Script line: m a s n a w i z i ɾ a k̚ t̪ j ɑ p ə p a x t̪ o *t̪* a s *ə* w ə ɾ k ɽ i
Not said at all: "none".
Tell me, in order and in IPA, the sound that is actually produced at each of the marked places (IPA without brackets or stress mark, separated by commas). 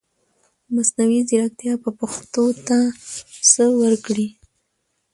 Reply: t̪, ə